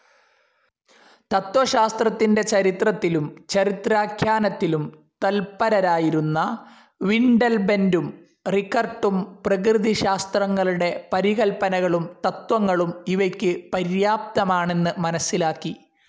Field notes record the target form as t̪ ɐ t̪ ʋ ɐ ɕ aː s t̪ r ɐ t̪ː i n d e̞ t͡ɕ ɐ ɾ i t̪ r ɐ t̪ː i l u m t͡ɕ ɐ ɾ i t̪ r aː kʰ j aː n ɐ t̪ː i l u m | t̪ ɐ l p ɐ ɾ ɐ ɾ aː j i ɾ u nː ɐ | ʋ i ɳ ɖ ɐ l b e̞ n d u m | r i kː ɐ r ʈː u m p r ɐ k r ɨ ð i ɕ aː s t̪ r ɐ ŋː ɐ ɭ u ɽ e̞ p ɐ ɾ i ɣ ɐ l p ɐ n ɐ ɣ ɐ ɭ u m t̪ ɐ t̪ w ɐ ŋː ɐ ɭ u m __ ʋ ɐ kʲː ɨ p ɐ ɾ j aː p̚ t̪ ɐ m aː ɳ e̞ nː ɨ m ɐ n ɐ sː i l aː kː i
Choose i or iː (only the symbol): i